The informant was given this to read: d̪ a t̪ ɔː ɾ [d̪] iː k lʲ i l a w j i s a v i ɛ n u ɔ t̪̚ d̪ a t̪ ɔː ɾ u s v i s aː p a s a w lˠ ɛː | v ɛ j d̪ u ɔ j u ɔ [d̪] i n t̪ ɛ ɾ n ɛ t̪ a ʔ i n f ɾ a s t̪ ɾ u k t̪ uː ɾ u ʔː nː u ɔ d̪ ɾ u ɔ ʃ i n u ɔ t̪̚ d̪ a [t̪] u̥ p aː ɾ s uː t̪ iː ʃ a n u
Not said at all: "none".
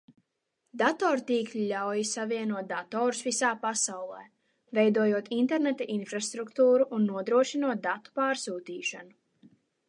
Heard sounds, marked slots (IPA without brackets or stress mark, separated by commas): t̪, t̪, t̪